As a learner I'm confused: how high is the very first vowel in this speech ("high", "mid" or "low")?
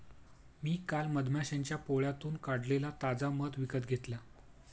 high